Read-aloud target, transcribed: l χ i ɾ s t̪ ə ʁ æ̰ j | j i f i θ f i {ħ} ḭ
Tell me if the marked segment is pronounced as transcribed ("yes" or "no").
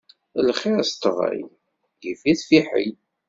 yes